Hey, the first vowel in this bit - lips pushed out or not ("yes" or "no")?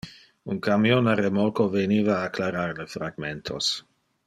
yes